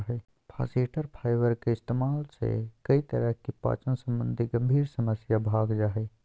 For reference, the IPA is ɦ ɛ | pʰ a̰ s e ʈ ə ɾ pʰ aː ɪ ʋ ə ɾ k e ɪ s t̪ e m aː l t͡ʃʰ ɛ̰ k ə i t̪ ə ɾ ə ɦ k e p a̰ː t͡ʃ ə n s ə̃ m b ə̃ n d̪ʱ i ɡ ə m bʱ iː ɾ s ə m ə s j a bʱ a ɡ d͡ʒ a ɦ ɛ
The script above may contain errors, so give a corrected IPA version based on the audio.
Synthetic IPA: ɦ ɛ | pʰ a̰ s e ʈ ə ɾ pʰ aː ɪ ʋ ə ɾ k e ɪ s t̪ e m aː l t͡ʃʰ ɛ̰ k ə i t̪ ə ɾ ə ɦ k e p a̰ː t͡ʃ ə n s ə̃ m b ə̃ n d̪ʱ i ɡ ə m bʱ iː ɾ s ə m ə s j a bʱ a ɡ d͡ʒ a ɦ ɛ